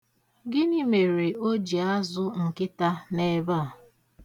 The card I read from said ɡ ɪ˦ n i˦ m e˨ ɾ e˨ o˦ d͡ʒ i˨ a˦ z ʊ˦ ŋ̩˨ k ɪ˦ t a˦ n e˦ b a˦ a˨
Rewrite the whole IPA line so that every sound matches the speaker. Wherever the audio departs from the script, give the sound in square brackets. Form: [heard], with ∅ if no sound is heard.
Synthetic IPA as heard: ɡ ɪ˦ n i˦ m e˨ ɾ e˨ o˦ d͡ʒ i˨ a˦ z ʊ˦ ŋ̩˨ k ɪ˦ t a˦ n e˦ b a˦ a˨